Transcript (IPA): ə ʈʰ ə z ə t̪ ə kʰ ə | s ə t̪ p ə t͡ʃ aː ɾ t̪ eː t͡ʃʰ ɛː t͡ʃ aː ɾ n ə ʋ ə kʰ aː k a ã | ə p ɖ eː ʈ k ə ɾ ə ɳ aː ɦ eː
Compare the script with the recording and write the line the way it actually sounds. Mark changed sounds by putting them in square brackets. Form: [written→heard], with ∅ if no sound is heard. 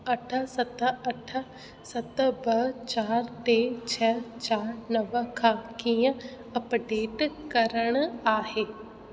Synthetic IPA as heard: ə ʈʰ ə [z→s] ə t̪ ə [kʰ→ʈʰ] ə | s ə t̪ [p→b] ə t͡ʃ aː ɾ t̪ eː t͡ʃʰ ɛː t͡ʃ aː ɾ n ə ʋ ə kʰ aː k [a→i] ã | ə p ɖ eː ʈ k ə ɾ ə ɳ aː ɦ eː

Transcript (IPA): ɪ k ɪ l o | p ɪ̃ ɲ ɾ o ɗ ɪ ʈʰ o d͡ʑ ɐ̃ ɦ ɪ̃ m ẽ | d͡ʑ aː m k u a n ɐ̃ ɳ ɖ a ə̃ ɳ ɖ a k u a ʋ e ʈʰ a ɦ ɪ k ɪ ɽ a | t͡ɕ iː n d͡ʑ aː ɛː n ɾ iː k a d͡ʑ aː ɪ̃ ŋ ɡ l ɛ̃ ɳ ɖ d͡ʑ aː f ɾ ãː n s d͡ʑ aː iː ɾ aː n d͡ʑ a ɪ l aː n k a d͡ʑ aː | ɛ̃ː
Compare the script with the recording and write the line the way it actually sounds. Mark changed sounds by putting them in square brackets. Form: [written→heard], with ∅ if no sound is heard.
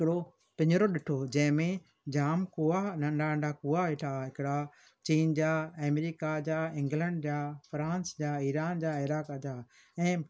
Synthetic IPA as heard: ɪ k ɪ [l→ɽ] o | p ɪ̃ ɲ ɾ o ɗ ɪ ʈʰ o d͡ʑ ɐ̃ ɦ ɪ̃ m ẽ | d͡ʑ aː m k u a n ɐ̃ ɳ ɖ a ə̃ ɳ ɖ a k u a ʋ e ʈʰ a ɦ ɪ k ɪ ɽ a | t͡ɕ iː n d͡ʑ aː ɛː [n→m] ɾ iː k a d͡ʑ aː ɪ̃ ŋ ɡ l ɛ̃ ɳ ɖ d͡ʑ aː f ɾ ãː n s d͡ʑ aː iː ɾ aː n d͡ʑ a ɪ [l→ɾ] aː [n→∅] k a d͡ʑ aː | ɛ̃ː

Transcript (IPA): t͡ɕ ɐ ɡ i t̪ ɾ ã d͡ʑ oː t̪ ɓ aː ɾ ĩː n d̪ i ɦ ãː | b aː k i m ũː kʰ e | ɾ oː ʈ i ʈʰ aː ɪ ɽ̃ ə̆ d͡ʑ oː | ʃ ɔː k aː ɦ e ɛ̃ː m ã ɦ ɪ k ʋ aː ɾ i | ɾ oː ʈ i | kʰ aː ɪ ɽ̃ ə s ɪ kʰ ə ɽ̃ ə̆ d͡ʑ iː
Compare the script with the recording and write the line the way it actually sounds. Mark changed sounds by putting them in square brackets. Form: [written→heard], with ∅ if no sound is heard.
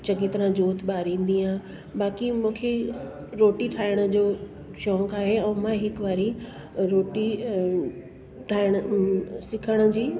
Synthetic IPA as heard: t͡ɕ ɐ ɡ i t̪ ɾ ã d͡ʑ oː t̪ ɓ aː ɾ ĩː n d̪ i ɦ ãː | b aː k i m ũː kʰ e | ɾ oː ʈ i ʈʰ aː ɪ ɽ̃ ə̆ d͡ʑ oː | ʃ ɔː k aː ɦ e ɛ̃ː m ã ɦ ɪ k ʋ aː ɾ i | ɾ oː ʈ i | [kʰ→ʈʰ] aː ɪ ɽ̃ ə s ɪ kʰ ə ɽ̃ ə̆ d͡ʑ iː

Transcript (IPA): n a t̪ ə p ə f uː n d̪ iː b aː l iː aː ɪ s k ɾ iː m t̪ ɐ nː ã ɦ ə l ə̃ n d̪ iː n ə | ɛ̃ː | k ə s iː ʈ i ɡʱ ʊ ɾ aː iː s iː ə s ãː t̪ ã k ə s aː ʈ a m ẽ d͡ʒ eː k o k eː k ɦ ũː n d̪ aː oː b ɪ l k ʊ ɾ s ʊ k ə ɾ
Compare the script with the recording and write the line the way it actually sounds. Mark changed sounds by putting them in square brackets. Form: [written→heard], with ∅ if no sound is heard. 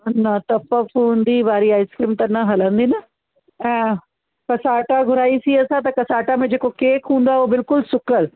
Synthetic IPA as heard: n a t̪ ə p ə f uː n d̪ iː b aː [l→ɾ] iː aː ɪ s k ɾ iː m t̪ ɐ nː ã ɦ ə l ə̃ n d̪ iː n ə | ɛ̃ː | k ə s [iː→aː] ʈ [i→a] ɡʱ ʊ ɾ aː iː s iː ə s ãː t̪ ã k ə s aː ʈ a m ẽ d͡ʒ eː k o k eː k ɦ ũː n d̪ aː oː b ɪ l k ʊ [ɾ→l] s ʊ k ə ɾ

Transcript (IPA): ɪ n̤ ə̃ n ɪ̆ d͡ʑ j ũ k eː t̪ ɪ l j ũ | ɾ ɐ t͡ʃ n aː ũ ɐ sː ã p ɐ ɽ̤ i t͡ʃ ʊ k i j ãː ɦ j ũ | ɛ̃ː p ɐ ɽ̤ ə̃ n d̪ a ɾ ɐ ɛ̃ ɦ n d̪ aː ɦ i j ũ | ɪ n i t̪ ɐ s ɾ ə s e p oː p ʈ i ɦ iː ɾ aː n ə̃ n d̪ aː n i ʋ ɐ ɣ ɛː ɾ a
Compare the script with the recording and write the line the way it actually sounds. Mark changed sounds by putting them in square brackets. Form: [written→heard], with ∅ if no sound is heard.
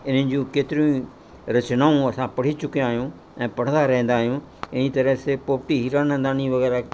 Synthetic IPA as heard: ɪ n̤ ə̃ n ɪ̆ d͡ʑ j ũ k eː t̪ ɪ [l→ɾ] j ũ | ɾ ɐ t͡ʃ n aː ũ ɐ [sː→s] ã p ɐ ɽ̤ i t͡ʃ ʊ k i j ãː ɦ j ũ | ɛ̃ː p ɐ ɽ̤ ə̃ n d̪ a ɾ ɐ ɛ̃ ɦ n d̪ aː ɦ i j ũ | ɪ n i t̪ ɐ [s→∅] ɾ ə s e p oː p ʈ i ɦ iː ɾ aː n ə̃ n d̪ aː n i ʋ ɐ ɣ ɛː ɾ a

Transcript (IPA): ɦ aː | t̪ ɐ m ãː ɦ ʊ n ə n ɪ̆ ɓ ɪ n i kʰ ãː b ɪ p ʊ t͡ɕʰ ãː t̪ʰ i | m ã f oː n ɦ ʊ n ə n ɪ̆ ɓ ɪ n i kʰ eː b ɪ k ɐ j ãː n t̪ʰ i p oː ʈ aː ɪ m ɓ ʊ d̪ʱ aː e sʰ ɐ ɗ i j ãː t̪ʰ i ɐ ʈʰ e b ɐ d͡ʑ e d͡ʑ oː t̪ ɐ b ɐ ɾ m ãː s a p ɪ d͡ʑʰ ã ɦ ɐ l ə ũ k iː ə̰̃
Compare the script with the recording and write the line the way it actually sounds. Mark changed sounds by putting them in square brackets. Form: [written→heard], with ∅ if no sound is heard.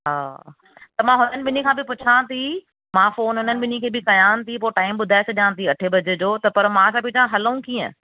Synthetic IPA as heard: ɦ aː | t̪ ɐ m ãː ɦ ʊ n ə n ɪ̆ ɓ ɪ n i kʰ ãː b ɪ p ʊ t͡ɕʰ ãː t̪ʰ i | m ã f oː n ɦ ʊ n ə n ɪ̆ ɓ ɪ n i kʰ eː b ɪ k ɐ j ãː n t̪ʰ i p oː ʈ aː ɪ m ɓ ʊ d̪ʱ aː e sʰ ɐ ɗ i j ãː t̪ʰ i ɐ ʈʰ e b ɐ d͡ʑ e d͡ʑ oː t̪ ɐ [b→p] ɐ ɾ m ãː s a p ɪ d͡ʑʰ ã ɦ ɐ l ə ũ k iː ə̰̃

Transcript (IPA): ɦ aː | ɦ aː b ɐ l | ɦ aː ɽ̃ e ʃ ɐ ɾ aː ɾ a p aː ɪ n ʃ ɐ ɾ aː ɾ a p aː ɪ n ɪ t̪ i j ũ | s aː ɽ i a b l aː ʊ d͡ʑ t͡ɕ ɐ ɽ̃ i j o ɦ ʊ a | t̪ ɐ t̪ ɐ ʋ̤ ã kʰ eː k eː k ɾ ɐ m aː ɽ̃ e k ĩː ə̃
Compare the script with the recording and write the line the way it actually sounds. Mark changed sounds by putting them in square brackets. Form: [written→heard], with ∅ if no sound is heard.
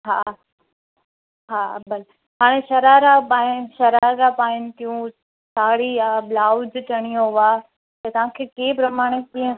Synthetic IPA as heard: ɦ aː | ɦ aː b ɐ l | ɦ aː ɽ̃ e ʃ ɐ ɾ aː ɾ a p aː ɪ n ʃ ɐ ɾ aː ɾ a p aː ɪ n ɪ t̪ i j ũ | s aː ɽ i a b l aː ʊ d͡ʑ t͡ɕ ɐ ɽ̃ i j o ɦ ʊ a | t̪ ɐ t̪ ɐ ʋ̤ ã kʰ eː k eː [k→p] ɾ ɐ m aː ɽ̃ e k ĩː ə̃

